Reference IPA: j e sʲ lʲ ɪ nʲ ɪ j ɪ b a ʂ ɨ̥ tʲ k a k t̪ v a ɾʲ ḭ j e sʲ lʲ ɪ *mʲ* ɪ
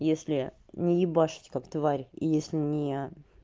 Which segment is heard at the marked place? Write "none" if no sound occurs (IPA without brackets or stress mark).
nʲ